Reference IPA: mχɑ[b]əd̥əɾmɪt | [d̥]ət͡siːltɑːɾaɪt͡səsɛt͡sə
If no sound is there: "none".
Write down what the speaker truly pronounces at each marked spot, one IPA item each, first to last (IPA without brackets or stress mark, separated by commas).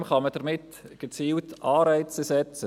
m, ɡ̥